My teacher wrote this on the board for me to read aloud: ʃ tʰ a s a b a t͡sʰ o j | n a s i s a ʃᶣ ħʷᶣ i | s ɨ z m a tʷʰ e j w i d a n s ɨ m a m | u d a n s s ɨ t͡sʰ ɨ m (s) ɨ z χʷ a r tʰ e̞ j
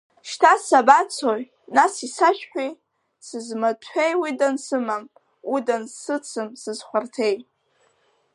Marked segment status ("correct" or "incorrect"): correct